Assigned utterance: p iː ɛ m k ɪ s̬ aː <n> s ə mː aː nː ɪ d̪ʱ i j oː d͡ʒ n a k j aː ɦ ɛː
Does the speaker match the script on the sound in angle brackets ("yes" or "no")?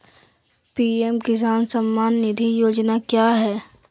yes